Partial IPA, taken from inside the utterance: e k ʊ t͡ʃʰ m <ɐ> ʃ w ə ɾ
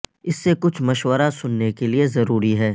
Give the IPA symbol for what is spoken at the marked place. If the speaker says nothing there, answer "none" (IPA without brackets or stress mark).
ɐ